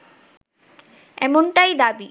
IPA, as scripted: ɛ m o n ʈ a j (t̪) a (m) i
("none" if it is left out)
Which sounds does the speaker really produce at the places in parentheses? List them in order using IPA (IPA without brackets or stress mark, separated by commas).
d̪, b